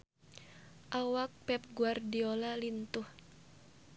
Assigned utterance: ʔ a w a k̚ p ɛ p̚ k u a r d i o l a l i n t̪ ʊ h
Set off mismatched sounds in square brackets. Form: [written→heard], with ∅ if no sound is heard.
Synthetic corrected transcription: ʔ a w a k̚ p ɛ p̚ [k→ɡ] u a r d i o l a l i n t̪ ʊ h